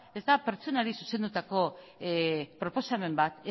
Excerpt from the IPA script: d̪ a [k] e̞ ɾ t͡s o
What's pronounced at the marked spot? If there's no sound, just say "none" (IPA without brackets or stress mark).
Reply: p